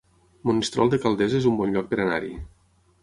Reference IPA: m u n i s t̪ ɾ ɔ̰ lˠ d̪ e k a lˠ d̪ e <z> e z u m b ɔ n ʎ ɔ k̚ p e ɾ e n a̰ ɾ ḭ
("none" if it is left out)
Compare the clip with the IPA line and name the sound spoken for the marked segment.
z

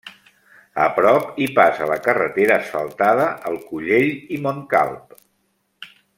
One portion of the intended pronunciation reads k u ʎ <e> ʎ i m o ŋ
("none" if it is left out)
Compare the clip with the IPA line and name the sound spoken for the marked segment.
e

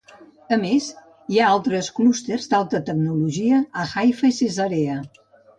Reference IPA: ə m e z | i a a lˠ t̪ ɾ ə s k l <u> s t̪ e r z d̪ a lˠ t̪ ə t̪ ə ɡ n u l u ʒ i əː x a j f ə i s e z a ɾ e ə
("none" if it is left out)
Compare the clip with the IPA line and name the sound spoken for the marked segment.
u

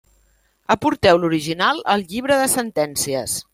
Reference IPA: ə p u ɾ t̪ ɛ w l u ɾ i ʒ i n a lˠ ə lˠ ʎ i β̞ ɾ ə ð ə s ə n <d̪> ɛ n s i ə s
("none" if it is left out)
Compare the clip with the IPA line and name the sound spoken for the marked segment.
t̪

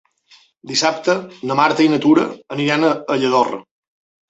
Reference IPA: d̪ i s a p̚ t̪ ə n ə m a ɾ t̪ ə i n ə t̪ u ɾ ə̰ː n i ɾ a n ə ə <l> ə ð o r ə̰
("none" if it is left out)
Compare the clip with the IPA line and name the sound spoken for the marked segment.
ʎ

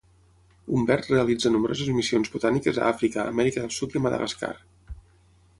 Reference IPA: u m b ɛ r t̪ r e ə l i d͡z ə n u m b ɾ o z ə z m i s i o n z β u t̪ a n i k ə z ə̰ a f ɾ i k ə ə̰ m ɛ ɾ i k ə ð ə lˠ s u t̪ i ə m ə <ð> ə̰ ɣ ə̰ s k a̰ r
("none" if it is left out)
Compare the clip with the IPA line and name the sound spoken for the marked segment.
ð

